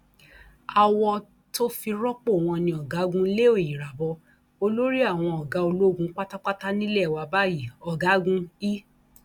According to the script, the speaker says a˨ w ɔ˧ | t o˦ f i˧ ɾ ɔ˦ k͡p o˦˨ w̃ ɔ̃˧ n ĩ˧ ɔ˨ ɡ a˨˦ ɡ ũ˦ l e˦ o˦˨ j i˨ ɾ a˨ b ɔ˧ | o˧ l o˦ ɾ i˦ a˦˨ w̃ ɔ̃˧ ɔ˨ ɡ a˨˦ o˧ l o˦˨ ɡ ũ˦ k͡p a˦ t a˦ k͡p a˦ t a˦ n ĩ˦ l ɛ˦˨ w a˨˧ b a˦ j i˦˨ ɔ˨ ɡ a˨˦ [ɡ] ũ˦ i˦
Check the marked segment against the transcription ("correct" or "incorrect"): correct